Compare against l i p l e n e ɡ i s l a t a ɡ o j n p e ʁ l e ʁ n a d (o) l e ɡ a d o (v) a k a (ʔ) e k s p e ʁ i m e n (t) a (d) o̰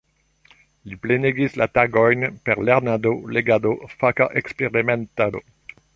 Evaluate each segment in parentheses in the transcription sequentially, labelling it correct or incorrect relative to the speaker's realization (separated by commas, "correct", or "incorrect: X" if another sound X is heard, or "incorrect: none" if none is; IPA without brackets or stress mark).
correct, incorrect: f, correct, correct, correct